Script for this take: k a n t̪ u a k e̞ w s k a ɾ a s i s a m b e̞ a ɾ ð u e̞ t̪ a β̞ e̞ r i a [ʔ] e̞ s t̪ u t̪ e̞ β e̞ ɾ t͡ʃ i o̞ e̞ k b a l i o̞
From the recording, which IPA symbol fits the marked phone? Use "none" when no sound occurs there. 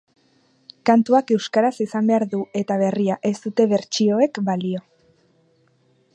ʔ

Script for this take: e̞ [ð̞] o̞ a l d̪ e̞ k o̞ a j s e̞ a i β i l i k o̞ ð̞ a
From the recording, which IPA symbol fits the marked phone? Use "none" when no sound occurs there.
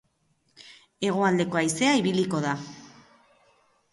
ɣ̞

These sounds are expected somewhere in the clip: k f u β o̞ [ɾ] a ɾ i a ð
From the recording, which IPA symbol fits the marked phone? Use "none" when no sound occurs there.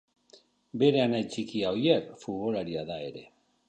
l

